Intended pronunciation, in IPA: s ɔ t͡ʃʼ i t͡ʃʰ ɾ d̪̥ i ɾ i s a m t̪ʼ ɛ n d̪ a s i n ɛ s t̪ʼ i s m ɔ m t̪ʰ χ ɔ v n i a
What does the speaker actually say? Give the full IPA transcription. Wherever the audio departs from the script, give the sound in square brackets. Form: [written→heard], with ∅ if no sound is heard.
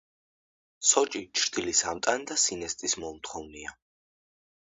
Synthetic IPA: s ɔ t͡ʃʼ i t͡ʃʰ ɾ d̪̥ i [ɾ→l] i s a m t̪ʼ [ɛ→a] n d̪ a s i n ɛ s t̪ʼ i s m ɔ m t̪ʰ χ ɔ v n i a